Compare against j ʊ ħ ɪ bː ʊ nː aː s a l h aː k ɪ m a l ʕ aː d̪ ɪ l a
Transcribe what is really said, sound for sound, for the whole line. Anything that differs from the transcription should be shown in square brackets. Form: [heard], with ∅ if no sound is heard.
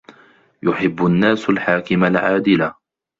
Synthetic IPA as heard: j ʊ ħ ɪ bː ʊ nː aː s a l [ħ] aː k ɪ m a l ʕ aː d̪ ɪ l a